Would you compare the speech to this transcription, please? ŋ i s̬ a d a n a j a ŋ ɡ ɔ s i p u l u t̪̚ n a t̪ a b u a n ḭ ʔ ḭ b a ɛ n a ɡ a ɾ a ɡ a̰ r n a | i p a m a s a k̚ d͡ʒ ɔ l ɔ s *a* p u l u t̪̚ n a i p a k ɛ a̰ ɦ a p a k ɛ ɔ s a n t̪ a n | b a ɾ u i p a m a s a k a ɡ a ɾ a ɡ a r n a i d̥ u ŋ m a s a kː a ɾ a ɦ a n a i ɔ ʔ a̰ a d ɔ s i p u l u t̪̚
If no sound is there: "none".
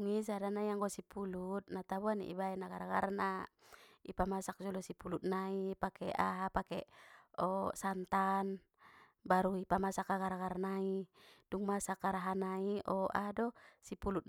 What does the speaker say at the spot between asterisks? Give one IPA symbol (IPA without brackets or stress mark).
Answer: i